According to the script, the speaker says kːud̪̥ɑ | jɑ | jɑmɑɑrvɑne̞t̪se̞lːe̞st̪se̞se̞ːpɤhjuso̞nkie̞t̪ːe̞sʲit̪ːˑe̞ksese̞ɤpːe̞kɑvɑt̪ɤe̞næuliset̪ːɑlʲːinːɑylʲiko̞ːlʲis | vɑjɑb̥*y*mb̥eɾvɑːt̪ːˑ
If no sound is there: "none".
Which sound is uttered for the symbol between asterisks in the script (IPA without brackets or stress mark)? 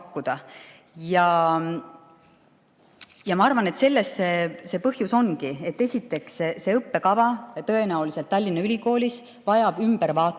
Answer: y